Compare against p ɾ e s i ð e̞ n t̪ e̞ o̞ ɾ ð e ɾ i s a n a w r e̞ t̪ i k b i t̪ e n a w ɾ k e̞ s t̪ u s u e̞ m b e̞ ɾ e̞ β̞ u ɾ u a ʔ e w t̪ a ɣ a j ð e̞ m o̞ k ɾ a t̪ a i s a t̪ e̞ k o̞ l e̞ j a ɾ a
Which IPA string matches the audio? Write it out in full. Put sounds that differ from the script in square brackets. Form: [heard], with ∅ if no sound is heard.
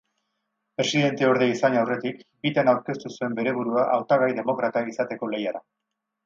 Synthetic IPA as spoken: p ɾ e s i ð e̞ n t̪ e̞ o̞ ɾ ð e [∅] i s a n a w r e̞ t̪ i k b i t̪ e n a w ɾ k e̞ s t̪ u s u e̞ m b e̞ ɾ e̞ β̞ u ɾ u a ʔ [a] w t̪ a ɣ a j ð e̞ m o̞ k ɾ a t̪ a i s a t̪ e̞ k o̞ l e̞ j a ɾ a